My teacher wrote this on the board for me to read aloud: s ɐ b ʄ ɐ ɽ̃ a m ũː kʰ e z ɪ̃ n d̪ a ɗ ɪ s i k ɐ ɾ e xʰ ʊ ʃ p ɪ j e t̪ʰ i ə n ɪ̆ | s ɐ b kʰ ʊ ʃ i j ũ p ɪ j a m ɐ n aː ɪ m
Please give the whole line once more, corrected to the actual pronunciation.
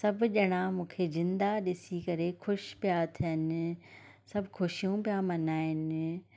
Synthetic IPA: s ɐ b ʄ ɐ ɽ̃ a m ũː kʰ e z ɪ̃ n d̪ a ɗ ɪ s i k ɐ ɾ e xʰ ʊ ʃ p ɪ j a t̪ʰ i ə n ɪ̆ | s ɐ b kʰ ʊ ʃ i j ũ p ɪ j a m ɐ n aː ɪ n